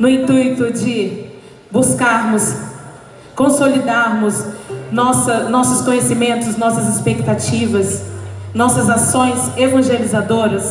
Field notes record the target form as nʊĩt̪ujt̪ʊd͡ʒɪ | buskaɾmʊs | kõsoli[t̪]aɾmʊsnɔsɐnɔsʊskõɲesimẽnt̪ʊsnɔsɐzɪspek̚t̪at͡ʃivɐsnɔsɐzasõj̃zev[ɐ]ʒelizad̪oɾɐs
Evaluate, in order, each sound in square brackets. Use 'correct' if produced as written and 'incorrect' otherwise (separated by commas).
incorrect, incorrect